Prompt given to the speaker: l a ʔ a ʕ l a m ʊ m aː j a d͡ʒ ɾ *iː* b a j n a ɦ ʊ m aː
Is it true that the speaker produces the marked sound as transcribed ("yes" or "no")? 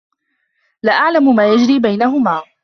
yes